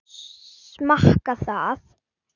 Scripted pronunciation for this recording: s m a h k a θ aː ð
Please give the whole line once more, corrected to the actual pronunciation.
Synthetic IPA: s m a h k a θ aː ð